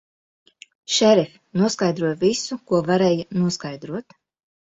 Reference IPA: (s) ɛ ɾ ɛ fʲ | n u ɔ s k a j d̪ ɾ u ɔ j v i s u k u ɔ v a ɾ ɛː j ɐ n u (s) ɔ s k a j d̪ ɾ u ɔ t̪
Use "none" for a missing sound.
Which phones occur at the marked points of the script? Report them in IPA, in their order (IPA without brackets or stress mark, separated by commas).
ʃ, none